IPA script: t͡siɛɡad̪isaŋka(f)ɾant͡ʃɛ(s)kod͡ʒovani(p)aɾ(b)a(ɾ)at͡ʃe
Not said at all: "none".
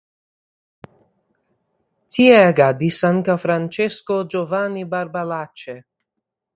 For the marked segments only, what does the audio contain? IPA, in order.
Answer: f, s, b, b, l

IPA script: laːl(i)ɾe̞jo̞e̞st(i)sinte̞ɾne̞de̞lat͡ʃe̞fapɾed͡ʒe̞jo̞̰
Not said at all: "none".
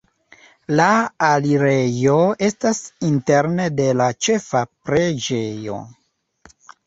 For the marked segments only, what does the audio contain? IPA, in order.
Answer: i, a

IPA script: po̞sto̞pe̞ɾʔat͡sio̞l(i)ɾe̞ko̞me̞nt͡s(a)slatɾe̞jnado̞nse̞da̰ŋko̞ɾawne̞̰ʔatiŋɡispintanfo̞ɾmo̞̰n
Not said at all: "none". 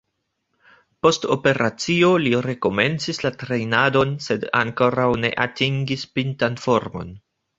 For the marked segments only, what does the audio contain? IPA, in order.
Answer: i, i

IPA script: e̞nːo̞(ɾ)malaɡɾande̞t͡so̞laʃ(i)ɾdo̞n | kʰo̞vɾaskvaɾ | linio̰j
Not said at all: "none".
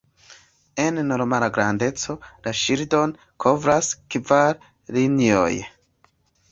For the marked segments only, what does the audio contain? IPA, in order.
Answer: ɾ, i

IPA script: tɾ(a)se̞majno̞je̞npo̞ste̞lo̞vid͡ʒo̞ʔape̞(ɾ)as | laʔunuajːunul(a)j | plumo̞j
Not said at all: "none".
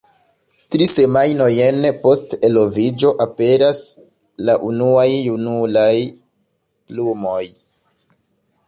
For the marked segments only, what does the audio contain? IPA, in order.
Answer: i, ɾ, a

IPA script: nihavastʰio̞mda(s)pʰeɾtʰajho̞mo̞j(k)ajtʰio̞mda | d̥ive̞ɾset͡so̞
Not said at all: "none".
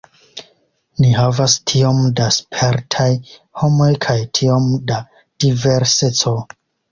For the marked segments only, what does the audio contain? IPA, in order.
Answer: s, kʰ

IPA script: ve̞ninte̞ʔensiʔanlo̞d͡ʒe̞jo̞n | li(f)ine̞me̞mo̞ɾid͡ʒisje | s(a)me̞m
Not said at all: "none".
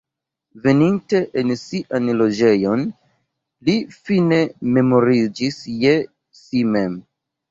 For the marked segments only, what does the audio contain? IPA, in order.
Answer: f, i

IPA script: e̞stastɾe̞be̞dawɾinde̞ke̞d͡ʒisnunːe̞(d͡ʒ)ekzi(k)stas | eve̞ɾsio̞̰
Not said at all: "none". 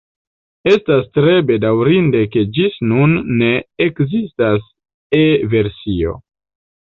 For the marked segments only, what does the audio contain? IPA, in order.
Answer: none, none

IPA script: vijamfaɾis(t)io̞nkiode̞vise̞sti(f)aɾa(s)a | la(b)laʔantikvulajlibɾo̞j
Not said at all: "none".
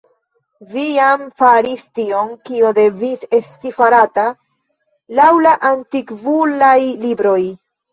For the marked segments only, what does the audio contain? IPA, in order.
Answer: t, f, t, w

